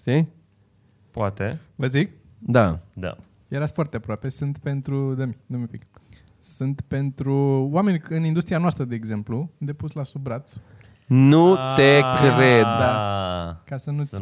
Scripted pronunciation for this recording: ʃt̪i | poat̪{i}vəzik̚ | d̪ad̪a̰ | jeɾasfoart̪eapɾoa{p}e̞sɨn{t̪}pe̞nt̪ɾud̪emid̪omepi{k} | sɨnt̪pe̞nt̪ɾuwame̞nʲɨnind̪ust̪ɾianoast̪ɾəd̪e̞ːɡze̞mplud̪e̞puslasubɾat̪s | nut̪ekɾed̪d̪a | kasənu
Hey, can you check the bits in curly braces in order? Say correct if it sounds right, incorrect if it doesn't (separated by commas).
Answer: incorrect, correct, correct, correct